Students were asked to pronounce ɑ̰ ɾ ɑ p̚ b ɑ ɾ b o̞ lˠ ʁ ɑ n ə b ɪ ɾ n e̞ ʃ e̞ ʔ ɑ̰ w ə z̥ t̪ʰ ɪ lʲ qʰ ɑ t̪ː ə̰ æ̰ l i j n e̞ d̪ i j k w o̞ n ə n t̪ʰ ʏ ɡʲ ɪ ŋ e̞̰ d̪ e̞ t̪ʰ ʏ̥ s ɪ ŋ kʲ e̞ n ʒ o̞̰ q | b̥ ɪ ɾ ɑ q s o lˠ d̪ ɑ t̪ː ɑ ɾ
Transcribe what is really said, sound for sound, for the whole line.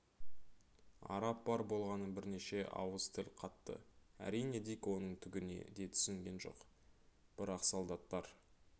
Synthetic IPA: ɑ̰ ɾ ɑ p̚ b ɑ ɾ b o̞ lˠ ʁ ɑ n ə b ɪ ɾ n e̞ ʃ e̞ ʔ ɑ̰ w ə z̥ t̪ʰ ɪ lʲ qʰ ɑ t̪ː ə̰ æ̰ ɾ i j n e̞ d̪ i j k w o̞ n ə ɴ t̪ʰ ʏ ɡʲ ɪ n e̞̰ d̪ e̞ t̪ʰ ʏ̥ s ɪ ŋ ɡʲ e̞ n ʒ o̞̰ q | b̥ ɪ ɾ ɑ q s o lˠ d̪ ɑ t̪ː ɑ ɾ

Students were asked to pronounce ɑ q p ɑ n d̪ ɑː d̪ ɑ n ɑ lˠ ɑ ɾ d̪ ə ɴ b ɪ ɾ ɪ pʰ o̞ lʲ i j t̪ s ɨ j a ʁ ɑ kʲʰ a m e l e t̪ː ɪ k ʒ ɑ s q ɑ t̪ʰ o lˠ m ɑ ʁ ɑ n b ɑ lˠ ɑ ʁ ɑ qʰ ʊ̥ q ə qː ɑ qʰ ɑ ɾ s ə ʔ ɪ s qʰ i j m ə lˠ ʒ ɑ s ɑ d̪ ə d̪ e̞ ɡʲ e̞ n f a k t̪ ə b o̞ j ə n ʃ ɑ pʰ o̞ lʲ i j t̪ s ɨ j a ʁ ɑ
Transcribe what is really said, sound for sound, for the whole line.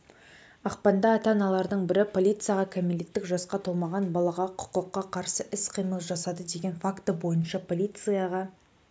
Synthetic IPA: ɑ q p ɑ n d̪ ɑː t̪ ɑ n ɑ lˠ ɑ ɾ d̪ ə ɴ b ɪ ɾ ɪ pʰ o̞ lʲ i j t̪ s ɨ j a ʁ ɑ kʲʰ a m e l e t̪ː ɪ k ʒ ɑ s q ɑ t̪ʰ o lˠ m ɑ ʁ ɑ n b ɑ lˠ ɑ ʁ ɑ qʰ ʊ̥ q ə qː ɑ qʰ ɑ ɾ s ə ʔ ɪ s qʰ i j m ə lˠ ʒ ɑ s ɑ d̪ ə d̪ e̞ ɡʲ e̞ n f a k t̪ ə b o̞ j ə n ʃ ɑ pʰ o̞ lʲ i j t̪ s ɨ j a ʁ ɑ

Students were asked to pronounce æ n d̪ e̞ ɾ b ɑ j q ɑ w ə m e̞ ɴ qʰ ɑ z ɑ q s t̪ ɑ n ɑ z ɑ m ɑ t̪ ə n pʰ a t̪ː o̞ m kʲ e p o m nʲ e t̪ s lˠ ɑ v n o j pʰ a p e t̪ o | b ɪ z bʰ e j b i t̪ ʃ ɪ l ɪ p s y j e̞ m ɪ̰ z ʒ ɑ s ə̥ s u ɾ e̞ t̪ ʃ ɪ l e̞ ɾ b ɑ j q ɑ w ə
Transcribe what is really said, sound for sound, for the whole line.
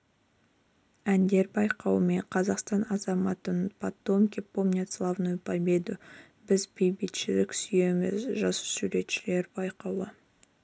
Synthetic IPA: æ n d̪ e̞ ɾ b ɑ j q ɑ w ə m e̞ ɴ qʰ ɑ z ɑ q s t̪ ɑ n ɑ z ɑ m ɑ t̪ ə n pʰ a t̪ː o̞ m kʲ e p o m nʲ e t̪ s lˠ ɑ v n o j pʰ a b e d̪ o | b ɪ z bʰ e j b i t̪ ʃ ɪ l ɪ k s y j e̞ m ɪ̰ z ʒ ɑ s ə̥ s u ɾ e̞ t̪ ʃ ɪ l e̞ ɾ b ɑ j q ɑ w ə

